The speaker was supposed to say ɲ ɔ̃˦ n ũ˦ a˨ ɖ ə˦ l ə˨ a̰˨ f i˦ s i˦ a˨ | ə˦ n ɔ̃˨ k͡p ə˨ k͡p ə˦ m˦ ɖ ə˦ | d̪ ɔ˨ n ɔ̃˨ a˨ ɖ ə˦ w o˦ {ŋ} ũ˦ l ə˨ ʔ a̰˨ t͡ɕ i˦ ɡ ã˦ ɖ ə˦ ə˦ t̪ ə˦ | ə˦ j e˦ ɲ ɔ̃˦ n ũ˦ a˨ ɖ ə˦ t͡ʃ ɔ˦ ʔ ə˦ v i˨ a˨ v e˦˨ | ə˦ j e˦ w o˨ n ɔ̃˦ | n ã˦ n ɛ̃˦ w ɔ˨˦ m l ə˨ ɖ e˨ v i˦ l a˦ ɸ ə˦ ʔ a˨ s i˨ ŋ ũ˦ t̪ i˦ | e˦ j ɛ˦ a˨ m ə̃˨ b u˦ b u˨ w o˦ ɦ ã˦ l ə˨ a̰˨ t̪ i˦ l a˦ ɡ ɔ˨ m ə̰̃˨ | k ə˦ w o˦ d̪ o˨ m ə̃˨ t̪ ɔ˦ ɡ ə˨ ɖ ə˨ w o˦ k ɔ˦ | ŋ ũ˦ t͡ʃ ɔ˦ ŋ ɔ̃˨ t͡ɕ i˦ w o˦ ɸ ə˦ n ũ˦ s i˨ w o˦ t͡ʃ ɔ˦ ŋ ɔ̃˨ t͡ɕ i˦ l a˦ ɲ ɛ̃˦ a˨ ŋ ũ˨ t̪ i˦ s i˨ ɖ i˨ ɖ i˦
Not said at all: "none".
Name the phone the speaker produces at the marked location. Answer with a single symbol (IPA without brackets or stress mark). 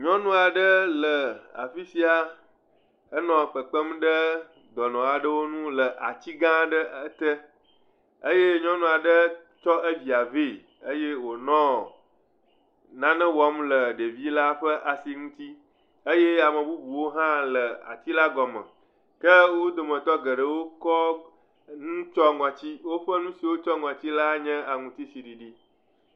n